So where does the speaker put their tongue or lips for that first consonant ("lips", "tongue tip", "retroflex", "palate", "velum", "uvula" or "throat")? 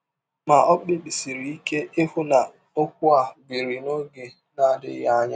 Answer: lips